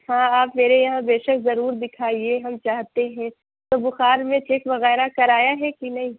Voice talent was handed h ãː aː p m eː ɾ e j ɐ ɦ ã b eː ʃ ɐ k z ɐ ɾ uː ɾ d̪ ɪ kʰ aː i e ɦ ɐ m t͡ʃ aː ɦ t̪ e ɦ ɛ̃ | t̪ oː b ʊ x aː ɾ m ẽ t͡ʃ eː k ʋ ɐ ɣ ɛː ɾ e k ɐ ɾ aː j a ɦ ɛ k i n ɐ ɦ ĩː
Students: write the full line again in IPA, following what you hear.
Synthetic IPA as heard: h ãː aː p m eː ɾ e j ɐ ɦ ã b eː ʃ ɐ k z ɐ ɾ uː ɾ d̪ ɪ kʰ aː i e ɦ ɐ m t͡ʃ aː ɦ t̪ e ɦ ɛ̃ | t̪ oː b ʊ x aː ɾ m ẽ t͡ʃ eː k ʋ ɐ ɣ ɛː ɾ a k ɐ ɾ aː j a ɦ ɛ k i n ɐ ɦ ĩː